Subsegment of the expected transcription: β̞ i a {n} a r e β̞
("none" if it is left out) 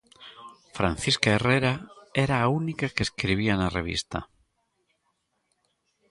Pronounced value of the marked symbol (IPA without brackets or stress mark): n